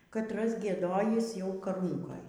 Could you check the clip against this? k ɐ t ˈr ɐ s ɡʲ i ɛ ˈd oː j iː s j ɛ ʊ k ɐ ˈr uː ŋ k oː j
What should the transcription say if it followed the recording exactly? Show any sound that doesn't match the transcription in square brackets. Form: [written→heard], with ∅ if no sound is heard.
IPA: k ɐ t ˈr ɐ s ɡʲ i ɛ ˈd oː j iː s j ɛ ʊ k ɐ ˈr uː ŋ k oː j